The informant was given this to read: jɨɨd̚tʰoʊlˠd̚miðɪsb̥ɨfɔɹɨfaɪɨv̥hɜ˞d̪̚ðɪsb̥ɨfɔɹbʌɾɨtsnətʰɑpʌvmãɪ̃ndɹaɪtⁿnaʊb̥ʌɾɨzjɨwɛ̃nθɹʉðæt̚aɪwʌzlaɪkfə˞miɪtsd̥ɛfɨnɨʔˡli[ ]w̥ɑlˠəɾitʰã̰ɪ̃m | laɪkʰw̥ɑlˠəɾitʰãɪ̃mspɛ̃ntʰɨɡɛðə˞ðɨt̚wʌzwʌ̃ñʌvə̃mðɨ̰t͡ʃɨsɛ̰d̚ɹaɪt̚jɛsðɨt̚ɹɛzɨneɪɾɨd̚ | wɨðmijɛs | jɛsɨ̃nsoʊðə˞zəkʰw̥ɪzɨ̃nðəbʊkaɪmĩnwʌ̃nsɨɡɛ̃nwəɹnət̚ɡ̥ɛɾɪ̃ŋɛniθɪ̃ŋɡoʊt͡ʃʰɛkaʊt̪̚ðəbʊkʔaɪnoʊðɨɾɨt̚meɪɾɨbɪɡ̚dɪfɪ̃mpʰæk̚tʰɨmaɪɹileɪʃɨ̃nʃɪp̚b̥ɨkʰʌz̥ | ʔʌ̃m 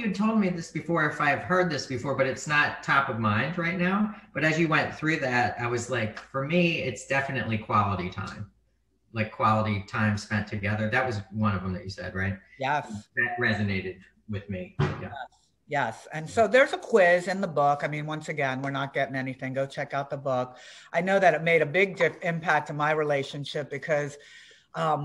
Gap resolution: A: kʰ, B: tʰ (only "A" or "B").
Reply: A